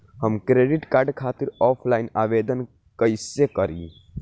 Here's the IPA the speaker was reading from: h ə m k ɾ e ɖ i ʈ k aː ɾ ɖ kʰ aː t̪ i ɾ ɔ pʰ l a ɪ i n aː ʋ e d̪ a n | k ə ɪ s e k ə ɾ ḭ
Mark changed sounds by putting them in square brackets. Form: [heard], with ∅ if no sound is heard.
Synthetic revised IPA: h ə m k ɾ e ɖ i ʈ k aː ɾ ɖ kʰ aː t̪ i ɾ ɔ pʰ l a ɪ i n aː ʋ e d̪ [ə] n | k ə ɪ s e k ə ɾ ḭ